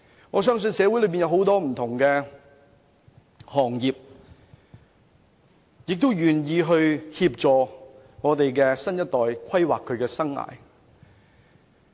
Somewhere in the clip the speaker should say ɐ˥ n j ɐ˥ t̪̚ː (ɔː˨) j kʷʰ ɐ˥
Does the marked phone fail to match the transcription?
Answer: no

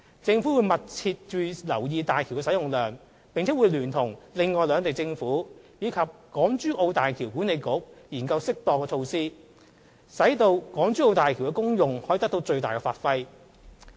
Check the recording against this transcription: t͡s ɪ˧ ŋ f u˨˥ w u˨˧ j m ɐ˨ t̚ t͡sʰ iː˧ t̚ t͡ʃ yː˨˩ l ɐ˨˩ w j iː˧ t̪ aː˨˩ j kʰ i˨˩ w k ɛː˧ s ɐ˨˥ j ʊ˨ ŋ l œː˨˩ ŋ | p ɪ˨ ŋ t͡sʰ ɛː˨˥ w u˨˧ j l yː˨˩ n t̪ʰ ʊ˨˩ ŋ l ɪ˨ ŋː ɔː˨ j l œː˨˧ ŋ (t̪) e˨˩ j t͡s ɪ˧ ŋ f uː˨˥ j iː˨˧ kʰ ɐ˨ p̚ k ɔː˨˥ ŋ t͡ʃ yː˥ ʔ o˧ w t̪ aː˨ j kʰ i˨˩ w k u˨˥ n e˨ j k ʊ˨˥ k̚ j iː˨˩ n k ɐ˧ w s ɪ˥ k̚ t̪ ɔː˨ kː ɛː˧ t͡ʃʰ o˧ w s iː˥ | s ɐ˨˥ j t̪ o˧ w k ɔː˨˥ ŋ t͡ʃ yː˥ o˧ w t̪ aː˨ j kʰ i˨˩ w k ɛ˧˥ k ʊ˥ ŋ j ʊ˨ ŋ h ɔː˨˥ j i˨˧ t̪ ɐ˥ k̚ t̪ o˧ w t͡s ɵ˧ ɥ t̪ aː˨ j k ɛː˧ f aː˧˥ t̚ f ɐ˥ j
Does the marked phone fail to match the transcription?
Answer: no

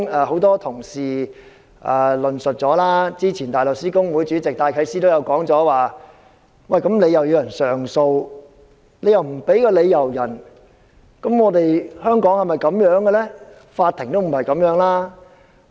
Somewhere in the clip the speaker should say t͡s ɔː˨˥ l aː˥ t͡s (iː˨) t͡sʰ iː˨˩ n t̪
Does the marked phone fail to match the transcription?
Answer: yes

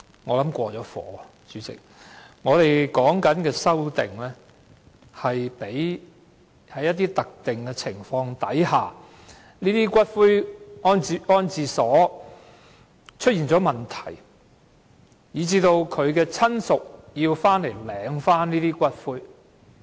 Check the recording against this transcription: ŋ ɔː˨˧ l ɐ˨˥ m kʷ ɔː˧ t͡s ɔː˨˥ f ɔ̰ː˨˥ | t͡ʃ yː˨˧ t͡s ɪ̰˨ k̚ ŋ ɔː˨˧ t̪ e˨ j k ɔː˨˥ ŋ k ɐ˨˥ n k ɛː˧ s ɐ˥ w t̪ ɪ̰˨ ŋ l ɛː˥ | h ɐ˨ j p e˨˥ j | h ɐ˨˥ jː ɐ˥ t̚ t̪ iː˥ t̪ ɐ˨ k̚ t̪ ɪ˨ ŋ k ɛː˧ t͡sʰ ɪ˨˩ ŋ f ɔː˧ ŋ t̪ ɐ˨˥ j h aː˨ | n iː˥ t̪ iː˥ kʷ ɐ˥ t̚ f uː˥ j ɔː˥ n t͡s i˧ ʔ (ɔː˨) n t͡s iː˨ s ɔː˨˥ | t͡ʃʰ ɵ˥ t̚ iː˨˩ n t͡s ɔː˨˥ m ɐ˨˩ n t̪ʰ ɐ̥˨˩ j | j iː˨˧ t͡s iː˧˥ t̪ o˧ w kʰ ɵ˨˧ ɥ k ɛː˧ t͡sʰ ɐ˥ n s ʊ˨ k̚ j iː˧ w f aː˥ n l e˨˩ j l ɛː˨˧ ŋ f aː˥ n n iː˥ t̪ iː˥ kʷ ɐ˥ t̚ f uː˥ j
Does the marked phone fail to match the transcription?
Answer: yes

